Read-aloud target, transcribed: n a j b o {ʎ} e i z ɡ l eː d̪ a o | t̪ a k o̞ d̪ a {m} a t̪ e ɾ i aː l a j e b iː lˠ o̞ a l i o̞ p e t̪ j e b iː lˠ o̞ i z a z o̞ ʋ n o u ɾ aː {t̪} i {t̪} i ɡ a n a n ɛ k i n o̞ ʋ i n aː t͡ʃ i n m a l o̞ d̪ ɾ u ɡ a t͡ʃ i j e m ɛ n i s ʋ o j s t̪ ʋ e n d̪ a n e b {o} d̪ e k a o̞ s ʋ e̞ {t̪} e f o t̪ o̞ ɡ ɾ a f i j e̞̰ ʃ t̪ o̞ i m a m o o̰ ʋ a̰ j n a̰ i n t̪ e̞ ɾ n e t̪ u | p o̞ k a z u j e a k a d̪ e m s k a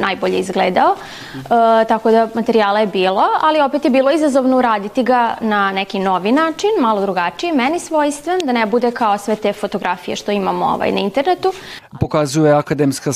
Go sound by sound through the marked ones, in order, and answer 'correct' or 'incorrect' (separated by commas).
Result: correct, correct, incorrect, correct, incorrect, correct